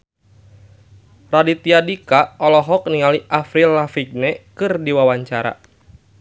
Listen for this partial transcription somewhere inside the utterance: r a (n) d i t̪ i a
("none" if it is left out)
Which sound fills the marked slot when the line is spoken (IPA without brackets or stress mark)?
none